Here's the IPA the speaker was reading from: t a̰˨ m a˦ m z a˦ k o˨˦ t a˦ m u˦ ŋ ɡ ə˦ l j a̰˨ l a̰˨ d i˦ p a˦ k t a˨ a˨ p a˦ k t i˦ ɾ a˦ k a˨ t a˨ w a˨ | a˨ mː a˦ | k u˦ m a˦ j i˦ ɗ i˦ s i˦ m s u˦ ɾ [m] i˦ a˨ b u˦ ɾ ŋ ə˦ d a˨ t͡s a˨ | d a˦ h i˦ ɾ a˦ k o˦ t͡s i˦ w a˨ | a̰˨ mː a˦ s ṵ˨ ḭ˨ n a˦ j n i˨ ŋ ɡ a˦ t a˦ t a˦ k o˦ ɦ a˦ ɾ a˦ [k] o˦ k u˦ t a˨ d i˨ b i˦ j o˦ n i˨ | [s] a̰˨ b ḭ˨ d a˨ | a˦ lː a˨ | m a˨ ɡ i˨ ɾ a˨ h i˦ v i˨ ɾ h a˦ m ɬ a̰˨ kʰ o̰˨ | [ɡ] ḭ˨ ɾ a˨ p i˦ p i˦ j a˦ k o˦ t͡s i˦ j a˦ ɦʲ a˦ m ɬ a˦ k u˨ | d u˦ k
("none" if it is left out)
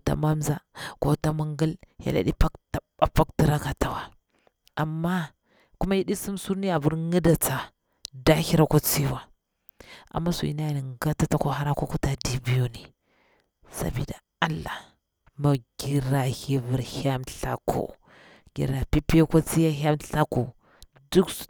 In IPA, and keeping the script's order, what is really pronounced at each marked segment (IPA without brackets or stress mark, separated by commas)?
n, k, s, ɡ